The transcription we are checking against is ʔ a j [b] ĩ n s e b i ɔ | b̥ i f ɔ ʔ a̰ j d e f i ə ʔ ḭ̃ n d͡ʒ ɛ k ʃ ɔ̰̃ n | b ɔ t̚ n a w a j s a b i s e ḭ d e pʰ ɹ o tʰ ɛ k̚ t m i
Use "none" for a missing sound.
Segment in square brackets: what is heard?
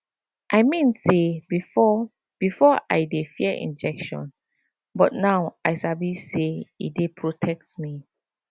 m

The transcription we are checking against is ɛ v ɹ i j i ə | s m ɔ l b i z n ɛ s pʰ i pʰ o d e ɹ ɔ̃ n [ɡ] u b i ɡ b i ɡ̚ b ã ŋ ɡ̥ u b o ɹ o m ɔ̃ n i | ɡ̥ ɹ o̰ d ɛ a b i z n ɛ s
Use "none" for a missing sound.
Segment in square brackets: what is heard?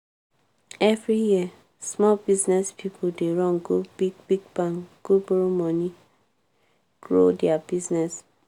ɡ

